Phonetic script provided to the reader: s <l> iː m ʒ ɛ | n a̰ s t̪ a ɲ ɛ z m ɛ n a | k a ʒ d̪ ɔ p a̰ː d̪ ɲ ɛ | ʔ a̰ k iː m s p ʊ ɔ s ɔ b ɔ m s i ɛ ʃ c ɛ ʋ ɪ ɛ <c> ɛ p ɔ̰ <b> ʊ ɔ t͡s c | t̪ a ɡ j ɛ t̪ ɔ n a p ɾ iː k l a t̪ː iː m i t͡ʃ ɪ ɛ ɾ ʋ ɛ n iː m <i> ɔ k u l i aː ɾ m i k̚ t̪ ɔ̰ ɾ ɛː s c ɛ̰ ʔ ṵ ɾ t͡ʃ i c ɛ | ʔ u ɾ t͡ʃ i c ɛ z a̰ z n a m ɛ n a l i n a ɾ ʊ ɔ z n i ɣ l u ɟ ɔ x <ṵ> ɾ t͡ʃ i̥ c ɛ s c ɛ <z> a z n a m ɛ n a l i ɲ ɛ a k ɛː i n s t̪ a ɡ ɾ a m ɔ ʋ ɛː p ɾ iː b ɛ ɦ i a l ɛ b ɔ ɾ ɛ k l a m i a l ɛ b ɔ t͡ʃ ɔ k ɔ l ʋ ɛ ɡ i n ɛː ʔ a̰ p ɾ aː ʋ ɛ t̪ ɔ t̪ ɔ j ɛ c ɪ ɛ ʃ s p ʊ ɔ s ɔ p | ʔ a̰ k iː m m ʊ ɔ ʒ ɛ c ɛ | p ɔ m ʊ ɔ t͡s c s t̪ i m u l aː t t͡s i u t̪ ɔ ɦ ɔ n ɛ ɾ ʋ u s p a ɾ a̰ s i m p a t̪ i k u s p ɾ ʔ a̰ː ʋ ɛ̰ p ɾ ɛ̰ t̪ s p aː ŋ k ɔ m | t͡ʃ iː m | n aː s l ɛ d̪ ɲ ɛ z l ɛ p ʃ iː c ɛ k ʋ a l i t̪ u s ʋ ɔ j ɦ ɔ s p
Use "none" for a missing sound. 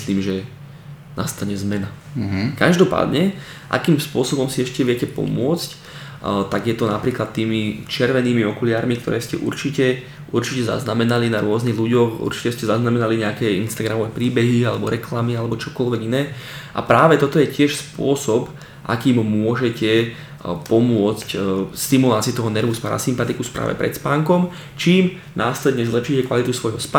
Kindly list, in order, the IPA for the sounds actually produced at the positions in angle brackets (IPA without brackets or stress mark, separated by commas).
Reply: l, c, m, i, ṵ, z